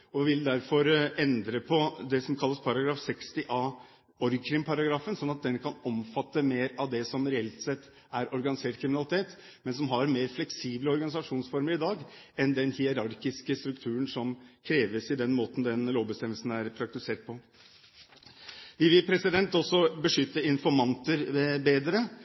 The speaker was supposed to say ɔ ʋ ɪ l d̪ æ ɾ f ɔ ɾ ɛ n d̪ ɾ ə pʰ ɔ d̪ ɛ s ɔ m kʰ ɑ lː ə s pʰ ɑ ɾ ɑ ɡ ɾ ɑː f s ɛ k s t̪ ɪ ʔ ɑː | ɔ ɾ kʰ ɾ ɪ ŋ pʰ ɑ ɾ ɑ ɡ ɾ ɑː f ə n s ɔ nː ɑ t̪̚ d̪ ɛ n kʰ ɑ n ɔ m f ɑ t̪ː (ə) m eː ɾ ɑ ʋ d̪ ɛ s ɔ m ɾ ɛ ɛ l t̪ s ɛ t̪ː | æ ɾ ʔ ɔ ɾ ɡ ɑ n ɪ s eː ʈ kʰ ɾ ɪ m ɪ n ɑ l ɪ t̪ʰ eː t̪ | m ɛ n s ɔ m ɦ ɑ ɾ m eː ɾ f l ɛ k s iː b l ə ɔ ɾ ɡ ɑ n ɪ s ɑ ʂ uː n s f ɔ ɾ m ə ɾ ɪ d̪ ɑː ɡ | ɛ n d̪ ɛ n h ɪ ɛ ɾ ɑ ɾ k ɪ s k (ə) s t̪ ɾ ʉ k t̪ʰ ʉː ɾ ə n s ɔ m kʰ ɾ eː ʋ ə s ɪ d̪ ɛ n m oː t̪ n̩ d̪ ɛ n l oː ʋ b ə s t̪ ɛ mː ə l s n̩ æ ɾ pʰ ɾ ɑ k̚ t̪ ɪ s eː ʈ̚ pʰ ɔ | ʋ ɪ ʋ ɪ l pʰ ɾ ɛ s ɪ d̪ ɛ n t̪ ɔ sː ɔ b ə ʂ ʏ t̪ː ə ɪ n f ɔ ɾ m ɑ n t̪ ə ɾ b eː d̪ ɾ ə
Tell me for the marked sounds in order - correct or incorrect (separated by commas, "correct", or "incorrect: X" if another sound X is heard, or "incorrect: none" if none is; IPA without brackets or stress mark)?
correct, correct